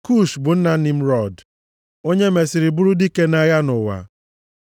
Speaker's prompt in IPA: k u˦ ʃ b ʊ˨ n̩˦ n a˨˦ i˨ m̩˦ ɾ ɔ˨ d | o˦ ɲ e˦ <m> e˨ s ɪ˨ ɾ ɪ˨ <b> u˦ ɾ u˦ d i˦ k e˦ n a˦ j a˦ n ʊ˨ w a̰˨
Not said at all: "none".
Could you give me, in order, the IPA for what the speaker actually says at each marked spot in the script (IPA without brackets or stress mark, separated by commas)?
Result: m, b